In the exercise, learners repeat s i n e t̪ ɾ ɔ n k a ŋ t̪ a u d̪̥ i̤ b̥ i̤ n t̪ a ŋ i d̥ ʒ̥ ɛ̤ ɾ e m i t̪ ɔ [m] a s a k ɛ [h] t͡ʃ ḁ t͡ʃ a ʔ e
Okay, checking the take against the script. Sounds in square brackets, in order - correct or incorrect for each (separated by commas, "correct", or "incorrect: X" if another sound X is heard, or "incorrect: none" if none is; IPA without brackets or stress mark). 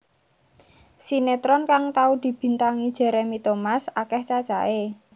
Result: correct, correct